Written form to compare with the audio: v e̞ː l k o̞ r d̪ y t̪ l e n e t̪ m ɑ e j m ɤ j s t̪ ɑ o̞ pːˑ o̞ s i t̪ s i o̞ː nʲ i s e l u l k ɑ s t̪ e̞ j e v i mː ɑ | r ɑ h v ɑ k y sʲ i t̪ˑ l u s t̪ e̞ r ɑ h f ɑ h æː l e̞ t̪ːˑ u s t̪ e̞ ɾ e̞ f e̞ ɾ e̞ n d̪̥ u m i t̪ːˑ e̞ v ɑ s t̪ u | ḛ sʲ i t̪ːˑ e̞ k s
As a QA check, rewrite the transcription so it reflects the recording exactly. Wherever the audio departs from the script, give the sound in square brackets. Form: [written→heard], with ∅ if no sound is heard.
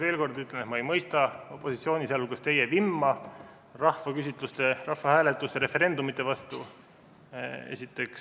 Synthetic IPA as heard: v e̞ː l k o̞ r d̪ y t̪ l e n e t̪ m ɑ e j m ɤ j s t̪ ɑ o̞ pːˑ o̞ s i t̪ s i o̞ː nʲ i s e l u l k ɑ s t̪ e̞ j e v i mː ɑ | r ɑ h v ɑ k y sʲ i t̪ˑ l u s t̪ e̞ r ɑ h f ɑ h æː l e̞ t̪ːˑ u s t̪ e̞ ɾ e̞ f e̞ ɾ e̞ n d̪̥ u m i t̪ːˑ e̞ v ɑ s t̪ u | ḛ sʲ i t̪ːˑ e̞ k s